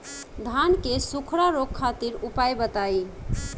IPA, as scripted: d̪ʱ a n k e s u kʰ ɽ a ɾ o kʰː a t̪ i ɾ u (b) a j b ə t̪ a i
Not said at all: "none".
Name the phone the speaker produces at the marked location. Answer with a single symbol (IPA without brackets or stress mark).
p